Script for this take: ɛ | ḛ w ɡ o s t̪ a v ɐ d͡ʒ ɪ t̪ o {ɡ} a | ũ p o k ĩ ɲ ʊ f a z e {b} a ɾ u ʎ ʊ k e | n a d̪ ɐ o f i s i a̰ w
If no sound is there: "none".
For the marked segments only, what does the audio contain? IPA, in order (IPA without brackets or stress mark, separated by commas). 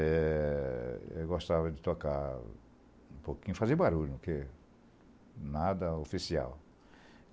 k, b